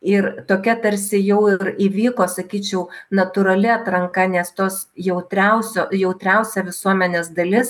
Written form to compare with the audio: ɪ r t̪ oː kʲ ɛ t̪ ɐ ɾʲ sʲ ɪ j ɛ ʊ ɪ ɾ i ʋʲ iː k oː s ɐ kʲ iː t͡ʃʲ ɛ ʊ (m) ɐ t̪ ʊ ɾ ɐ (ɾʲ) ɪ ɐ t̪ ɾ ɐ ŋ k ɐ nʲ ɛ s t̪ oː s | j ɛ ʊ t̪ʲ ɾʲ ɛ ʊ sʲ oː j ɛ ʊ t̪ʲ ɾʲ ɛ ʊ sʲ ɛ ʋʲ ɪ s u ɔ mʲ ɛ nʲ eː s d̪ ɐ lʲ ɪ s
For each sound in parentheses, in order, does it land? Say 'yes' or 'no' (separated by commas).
no, no